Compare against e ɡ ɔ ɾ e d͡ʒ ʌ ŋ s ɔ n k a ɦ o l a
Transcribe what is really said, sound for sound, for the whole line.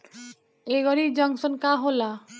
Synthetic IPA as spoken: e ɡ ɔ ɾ i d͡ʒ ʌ ŋ s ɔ n k a ɦ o l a